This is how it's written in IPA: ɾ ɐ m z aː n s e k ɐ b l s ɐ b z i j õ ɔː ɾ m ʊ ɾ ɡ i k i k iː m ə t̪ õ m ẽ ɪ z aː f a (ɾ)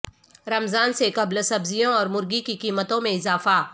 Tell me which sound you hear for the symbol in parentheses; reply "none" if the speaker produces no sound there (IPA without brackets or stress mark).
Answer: none